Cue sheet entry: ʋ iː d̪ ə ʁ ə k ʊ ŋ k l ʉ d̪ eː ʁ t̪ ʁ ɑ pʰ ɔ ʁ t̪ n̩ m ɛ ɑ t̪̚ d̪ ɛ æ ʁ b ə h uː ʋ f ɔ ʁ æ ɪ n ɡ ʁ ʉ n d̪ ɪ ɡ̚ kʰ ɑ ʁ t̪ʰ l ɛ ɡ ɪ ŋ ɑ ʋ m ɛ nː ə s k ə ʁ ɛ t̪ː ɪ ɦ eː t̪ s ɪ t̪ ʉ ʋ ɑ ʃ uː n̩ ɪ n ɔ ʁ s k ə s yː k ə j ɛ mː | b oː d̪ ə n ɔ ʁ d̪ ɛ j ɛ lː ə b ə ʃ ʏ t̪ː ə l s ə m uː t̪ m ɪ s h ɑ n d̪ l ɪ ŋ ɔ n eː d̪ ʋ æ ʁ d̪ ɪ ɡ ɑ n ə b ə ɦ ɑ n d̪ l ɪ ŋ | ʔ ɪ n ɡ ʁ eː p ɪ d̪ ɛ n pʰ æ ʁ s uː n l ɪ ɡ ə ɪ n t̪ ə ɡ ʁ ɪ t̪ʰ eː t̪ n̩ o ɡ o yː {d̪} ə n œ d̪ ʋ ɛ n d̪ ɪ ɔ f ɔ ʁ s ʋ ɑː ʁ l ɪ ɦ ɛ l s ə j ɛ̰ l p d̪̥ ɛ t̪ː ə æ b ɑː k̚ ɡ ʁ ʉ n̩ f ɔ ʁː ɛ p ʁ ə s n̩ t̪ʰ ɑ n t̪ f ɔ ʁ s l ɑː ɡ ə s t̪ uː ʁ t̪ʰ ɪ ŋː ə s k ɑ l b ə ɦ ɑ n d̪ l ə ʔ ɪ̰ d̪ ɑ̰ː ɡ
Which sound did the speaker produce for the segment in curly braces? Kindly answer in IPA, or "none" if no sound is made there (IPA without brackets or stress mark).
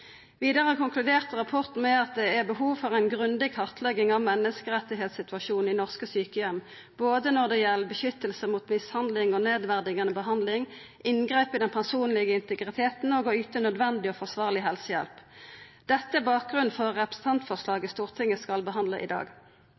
t̪